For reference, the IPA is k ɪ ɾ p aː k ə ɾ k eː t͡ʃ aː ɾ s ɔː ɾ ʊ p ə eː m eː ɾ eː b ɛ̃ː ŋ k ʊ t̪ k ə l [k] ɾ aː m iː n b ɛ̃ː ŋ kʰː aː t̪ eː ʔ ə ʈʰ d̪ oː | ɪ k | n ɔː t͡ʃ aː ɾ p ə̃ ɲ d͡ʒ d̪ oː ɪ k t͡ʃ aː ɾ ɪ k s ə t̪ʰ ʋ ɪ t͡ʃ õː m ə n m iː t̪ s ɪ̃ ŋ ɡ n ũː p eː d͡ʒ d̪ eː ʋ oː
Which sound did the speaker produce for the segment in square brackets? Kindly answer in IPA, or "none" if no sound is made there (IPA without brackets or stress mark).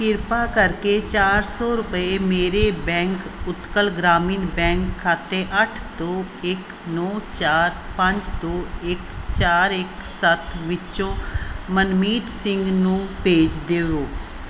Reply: ɡ